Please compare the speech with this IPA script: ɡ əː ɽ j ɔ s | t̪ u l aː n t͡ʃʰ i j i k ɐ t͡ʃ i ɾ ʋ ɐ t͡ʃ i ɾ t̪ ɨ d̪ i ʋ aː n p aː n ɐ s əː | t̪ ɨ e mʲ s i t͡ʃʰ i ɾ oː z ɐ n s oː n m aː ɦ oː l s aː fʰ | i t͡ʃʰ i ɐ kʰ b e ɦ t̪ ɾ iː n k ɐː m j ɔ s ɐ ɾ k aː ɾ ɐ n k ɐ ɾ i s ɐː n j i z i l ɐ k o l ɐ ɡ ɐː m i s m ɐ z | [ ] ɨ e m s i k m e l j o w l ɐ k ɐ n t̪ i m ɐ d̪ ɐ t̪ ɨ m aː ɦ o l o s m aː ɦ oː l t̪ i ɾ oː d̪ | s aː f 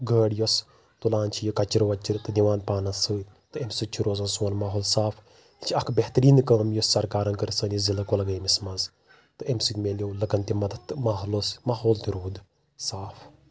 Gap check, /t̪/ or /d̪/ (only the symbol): t̪